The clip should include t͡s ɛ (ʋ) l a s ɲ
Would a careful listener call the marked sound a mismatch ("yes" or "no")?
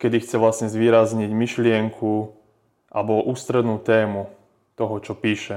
no